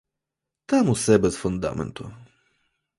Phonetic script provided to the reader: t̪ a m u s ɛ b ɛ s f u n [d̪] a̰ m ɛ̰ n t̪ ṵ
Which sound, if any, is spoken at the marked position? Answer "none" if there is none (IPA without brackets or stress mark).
d̪